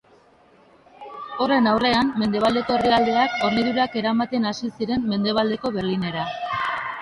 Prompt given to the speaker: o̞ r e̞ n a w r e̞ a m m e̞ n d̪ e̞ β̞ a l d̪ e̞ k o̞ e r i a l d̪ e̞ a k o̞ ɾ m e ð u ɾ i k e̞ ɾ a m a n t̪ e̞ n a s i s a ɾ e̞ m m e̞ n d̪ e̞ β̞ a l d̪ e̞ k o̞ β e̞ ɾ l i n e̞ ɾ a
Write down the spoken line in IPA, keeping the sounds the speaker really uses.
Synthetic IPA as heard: o̞ r e̞ n a w r e̞ a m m e̞ n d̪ e̞ β̞ a l d̪ e̞ k o̞ e r i a l d̪ e̞ a k o̞ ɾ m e ð u ɾ a k e̞ ɾ a m a t̪ e̞ n a s i s i ɾ e̞ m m e̞ n d̪ e̞ β̞ a l d̪ e̞ k o̞ β e̞ ɾ l i n e̞ ɾ a